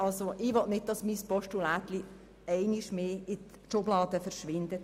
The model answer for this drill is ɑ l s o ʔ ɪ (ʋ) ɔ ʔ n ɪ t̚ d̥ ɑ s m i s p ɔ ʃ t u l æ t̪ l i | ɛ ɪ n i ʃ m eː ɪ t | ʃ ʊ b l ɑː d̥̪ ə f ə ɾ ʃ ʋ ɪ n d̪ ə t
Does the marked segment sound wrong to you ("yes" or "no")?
no